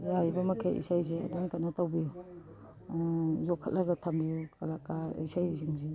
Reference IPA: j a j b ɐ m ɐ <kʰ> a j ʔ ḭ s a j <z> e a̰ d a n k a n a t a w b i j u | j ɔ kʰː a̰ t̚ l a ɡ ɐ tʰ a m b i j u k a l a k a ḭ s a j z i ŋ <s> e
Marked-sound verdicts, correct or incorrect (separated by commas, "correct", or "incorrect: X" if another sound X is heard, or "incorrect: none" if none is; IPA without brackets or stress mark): correct, correct, incorrect: z